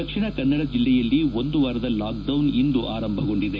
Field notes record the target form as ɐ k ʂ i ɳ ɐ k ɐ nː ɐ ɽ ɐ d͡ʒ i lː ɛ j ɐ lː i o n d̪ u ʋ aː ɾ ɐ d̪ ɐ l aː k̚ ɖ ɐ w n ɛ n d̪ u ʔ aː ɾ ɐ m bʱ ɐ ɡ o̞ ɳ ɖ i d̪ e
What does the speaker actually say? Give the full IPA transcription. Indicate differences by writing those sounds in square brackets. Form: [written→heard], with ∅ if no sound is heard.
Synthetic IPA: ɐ k ʂ i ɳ ɐ k ɐ nː ɐ ɽ ɐ d͡ʒ i lː ɛ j ɐ lː i o n d̪ u ʋ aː ɾ ɐ d̪ ɐ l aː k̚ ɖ ɐ w n [ɛ→i] n d̪ u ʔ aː ɾ ɐ m bʱ ɐ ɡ o̞ ɳ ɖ i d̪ e